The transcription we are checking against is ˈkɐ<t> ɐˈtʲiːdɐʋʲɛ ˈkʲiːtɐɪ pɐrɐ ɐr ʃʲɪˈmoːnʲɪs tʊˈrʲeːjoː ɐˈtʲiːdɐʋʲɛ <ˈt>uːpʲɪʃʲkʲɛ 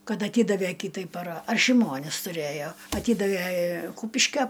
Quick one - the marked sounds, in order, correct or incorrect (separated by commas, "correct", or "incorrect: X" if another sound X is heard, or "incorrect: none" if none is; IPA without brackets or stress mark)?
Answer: correct, incorrect: k